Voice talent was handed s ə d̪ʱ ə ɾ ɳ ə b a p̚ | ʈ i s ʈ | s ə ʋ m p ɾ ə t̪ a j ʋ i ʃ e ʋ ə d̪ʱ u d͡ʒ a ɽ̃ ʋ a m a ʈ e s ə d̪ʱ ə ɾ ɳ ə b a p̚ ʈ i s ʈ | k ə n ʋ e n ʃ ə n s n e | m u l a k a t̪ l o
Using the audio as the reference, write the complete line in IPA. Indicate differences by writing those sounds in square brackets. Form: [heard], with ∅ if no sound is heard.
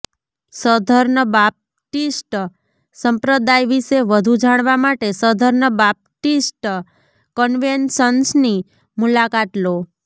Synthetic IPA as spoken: s ə d̪ʱ ə ɾ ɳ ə b a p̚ | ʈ i s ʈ | s ə [∅] m p ɾ ə [d̪] a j ʋ i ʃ e ʋ ə d̪ʱ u d͡ʒ a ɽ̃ ʋ a m a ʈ e s ə d̪ʱ ə ɾ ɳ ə b a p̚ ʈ i s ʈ | k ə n ʋ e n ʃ ə n s n [i] | m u l a k a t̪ l o